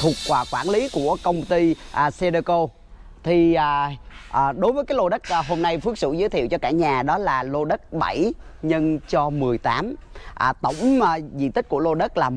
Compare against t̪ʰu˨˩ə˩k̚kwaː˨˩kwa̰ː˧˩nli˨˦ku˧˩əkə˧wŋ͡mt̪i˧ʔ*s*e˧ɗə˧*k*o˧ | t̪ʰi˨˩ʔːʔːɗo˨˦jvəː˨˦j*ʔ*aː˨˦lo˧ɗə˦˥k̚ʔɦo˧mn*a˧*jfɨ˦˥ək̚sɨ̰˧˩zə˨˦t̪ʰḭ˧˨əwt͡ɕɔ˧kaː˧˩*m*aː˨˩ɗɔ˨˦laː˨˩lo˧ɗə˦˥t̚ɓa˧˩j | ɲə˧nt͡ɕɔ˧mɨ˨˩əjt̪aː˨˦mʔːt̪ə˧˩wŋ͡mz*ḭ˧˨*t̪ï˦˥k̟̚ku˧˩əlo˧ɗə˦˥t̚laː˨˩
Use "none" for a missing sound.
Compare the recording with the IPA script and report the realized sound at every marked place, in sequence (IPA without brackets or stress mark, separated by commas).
s, k, k, a˧, ɲ, ḭ˧˨